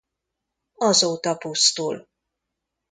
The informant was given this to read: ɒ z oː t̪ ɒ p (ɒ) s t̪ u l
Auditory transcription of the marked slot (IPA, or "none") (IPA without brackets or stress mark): u